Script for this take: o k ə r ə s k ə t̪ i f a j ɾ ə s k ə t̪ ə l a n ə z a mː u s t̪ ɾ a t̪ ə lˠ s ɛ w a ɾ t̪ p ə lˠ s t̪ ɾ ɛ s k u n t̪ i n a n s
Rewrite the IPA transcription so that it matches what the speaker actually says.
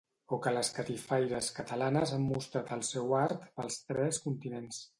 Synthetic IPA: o k ə l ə s k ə t̪ i f a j ɾ ə s k ə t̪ ə l a n ə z a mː u s t̪ ɾ a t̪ ə lˠ s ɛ w a ɾ t̪ p ə lˠ s t̪ ɾ ɛ s k u n t̪ i n e n s